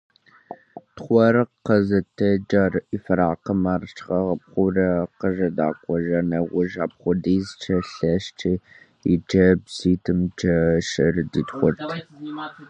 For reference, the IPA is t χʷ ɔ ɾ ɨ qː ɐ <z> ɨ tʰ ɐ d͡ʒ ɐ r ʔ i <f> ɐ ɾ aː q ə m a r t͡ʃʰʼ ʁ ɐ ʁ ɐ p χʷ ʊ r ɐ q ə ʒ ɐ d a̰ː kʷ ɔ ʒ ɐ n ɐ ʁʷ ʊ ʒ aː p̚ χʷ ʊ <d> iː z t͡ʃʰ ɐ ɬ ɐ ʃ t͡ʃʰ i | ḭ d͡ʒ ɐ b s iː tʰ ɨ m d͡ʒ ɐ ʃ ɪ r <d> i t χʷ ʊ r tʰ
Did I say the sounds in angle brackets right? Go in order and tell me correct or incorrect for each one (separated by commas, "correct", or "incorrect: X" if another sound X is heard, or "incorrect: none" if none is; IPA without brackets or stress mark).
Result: correct, correct, correct, correct